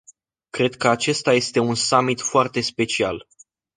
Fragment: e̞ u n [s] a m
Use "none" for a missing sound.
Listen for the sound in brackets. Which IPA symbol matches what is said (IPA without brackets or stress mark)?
s